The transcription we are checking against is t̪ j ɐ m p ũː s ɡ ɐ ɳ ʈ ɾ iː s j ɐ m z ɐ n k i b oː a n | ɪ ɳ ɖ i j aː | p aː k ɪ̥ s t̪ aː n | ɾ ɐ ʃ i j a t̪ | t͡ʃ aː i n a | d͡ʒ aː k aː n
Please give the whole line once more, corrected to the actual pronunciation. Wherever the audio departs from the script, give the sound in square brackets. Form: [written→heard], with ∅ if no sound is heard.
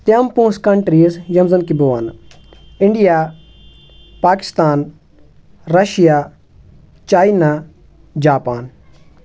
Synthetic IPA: t̪ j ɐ m p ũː s [ɡ→k] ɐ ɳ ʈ ɾ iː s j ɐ m z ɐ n k i b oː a n | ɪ ɳ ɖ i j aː | p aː k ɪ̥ s t̪ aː n | ɾ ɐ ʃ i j a [t̪→∅] | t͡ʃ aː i n a | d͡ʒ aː [k→p] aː n